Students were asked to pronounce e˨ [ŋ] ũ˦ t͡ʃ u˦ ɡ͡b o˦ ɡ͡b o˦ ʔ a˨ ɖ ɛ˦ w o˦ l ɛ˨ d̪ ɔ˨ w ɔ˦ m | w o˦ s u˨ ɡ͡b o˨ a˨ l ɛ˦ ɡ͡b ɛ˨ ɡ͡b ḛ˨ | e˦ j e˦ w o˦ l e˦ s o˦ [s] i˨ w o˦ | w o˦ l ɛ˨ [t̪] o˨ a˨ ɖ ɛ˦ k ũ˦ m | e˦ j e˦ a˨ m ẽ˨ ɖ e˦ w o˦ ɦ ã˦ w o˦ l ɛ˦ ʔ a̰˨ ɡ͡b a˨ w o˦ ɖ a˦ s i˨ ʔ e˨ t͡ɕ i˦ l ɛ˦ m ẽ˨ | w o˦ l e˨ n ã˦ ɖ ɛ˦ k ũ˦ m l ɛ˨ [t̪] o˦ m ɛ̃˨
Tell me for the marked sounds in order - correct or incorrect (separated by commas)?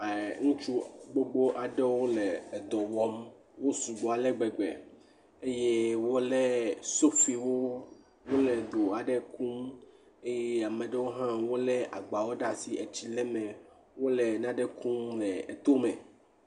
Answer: correct, incorrect, incorrect, correct